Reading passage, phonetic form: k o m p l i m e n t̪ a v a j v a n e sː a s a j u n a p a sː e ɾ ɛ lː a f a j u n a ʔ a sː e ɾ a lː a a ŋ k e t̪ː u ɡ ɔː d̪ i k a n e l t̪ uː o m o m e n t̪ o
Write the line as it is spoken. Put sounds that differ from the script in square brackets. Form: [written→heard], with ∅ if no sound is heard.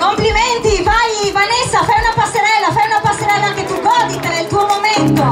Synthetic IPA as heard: k o m p l i m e n t̪ [a→i] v a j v a n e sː a [s→f] a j u n a p a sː e ɾ ɛ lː a f a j u n a [ʔ→p] a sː e ɾ [a→ɛ] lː a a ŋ k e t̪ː u ɡ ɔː d̪ i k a n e l t̪ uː o m o m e n t̪ o